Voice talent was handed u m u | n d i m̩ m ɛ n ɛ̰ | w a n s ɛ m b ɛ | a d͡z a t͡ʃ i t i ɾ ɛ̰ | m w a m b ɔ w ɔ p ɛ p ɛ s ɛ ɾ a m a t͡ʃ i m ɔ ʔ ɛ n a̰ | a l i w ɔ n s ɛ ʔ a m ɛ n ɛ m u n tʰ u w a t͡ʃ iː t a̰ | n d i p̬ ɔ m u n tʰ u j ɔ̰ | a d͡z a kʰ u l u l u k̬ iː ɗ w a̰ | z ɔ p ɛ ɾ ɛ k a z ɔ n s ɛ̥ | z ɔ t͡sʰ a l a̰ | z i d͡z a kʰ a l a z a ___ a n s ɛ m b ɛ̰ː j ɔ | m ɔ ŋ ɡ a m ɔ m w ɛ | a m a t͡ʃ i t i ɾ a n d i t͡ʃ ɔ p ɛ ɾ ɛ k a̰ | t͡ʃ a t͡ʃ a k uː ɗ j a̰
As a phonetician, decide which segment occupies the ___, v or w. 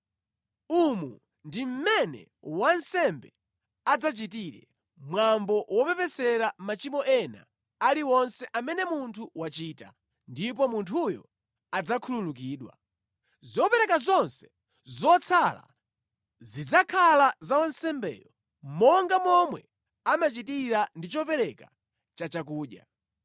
w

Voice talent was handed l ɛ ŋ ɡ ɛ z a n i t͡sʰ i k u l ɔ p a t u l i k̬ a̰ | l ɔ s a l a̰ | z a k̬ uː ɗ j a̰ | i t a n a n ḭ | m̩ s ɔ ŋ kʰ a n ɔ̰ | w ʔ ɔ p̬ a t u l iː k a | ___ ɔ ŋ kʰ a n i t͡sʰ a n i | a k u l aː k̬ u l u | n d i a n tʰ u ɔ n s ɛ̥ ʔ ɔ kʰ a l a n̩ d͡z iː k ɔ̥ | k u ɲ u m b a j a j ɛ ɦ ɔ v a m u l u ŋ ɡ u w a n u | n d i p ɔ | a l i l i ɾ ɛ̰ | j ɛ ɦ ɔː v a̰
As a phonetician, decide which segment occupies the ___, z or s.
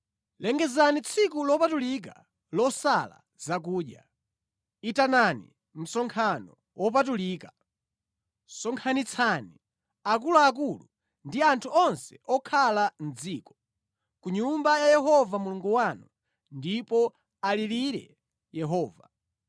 s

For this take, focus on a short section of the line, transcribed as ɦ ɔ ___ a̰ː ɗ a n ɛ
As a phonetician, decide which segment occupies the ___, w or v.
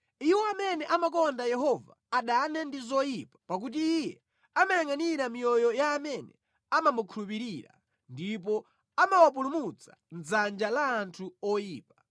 v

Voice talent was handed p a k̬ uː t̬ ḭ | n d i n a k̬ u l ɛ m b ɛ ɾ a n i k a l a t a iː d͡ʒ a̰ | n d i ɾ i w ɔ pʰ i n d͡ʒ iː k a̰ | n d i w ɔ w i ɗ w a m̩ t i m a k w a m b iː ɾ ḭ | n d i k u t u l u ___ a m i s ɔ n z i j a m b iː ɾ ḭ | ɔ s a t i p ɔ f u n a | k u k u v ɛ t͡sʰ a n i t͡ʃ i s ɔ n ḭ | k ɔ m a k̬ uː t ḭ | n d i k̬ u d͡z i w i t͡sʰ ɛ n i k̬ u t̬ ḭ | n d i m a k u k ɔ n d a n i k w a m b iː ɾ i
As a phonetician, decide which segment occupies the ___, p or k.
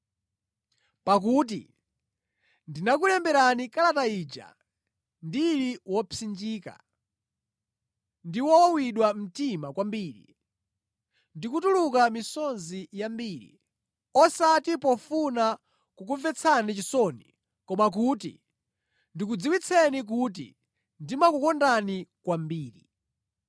k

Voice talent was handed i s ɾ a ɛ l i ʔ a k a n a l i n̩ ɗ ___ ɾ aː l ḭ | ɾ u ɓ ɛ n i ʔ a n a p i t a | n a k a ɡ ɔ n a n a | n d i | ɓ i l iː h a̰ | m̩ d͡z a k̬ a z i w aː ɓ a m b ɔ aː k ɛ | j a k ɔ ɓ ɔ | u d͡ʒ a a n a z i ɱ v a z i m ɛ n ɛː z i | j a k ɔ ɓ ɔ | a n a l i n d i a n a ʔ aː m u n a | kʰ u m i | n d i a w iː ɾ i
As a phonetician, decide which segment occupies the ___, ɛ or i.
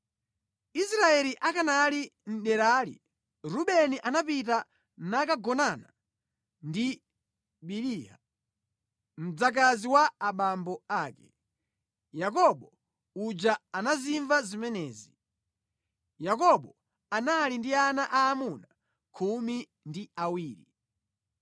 ɛ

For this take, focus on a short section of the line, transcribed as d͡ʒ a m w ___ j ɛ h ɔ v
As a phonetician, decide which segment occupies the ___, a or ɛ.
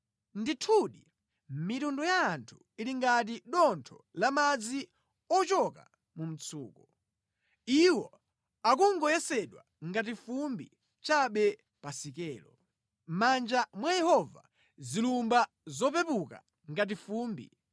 a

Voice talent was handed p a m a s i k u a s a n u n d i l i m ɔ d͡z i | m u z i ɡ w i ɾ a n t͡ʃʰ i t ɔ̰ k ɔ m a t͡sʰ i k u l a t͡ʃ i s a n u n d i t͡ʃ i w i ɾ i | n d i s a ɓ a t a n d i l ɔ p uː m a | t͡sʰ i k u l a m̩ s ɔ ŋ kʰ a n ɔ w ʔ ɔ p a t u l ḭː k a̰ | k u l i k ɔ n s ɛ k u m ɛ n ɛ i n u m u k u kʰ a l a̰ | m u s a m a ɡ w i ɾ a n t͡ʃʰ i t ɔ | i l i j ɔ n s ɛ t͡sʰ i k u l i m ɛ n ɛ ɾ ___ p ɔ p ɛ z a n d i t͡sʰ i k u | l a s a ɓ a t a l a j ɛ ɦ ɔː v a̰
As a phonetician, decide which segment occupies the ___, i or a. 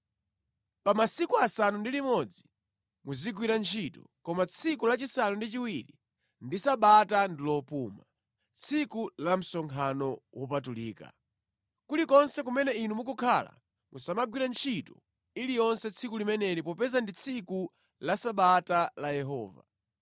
i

